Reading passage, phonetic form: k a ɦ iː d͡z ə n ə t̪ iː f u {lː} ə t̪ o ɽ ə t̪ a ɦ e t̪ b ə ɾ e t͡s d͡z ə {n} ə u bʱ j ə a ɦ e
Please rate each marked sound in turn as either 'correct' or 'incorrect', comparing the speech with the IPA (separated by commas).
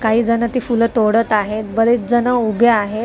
incorrect, correct